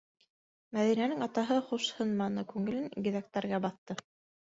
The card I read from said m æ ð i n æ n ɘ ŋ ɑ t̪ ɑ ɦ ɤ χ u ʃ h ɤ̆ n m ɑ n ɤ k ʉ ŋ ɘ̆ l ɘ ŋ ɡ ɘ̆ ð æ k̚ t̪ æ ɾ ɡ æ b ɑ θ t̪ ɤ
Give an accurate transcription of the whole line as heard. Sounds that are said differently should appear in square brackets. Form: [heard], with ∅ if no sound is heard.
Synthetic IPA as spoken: m æ ð i n æ n ɘ ŋ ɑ t̪ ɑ ɦ ɤ χ u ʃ h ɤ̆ n m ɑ n ɤ k ʉ ŋ ɘ̆ l ɘ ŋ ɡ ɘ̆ ð æ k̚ t̪ æ ɾ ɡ æ b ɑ θ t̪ ɤ